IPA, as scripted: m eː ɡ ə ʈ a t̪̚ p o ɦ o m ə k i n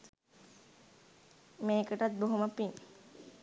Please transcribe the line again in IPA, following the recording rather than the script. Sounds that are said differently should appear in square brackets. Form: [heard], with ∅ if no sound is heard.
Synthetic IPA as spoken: m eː [k] ə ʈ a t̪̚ [b] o ɦ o m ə [p] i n

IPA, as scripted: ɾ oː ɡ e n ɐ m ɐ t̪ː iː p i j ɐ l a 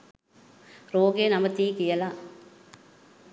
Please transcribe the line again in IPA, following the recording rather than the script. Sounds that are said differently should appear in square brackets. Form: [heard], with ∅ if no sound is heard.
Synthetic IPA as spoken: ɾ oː ɡ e n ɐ m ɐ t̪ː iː [k] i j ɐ l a

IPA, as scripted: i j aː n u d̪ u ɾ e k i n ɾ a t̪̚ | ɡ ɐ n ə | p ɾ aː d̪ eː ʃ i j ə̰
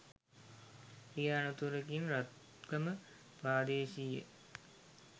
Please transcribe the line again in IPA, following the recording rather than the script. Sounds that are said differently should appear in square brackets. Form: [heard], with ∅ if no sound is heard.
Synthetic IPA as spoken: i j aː n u [t̪] u ɾ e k i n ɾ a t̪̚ | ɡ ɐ [m] ə | p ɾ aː d̪ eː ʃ i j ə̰

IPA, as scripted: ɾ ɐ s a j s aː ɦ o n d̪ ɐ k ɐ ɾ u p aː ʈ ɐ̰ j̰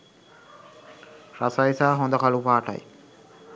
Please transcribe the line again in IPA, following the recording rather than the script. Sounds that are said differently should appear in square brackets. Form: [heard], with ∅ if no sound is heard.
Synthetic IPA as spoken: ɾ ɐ s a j s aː ɦ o n d̪ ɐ k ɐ [l] u p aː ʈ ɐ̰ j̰

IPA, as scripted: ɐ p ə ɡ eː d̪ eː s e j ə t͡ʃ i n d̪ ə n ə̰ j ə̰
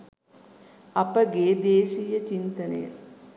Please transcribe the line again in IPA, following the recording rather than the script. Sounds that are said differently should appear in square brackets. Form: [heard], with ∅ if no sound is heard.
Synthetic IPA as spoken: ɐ p ə ɡ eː d̪ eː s [i] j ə t͡ʃ i n [t̪] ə n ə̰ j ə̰

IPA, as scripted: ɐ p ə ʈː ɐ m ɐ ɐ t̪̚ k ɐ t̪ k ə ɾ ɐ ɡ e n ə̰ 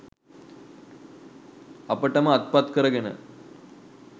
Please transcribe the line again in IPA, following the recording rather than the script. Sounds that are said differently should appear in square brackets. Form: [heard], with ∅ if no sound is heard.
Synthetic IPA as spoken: ɐ p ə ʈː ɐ m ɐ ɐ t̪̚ [p] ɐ t̪ k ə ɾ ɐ ɡ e n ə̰

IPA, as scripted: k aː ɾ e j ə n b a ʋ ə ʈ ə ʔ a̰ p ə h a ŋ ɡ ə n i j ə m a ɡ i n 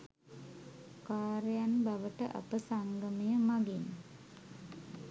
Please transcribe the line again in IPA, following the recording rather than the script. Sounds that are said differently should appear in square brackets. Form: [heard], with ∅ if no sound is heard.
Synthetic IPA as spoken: k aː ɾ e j [a] n b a ʋ ə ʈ ə ʔ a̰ p ə [s] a ŋ ɡ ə [m] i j ə m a ɡ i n

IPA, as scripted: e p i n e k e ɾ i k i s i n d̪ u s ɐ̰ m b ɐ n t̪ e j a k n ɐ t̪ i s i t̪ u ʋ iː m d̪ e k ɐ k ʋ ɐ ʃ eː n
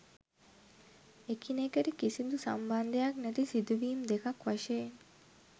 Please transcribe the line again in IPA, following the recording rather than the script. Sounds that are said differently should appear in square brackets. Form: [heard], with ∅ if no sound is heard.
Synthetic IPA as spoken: e [k] i n e k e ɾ i k i s i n d̪ u s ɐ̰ m b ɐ n [d̪] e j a k n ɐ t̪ i s i [d̪] u ʋ iː m d̪ e k ɐ k ʋ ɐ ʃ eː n

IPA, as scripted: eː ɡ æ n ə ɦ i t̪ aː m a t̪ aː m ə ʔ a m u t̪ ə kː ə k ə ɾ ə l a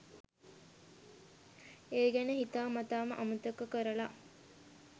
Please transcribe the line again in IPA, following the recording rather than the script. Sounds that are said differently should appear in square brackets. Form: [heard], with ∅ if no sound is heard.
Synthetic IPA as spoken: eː ɡ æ n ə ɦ i t̪ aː m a t̪ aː m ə ʔ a m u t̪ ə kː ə k ə ɾ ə l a

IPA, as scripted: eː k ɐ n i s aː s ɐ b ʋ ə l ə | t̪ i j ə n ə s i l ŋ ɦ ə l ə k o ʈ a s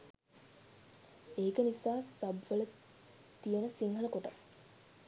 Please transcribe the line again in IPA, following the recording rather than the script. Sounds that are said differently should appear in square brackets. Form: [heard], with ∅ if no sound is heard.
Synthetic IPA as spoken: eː k [ə] n i s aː s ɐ b ʋ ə l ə | t̪ i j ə n ə s i [∅] ŋ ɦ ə l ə k o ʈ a s

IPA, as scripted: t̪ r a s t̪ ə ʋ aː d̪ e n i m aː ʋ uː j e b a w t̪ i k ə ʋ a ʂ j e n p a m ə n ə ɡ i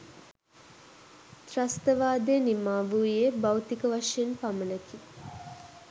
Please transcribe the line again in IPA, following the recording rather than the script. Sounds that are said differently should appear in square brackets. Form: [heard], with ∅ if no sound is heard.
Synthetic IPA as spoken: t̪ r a s t̪ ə ʋ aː d̪ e n i m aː ʋ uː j e b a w t̪ i k ə ʋ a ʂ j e n p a m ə n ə [k] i

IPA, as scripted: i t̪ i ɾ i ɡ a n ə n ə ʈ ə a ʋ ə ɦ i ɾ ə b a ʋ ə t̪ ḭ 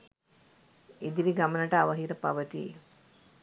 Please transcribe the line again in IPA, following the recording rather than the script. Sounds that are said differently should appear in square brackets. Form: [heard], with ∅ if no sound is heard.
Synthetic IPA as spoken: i [d̪] i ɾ i ɡ a [m] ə n ə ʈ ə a ʋ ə ɦ i ɾ ə [p] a ʋ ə t̪ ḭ

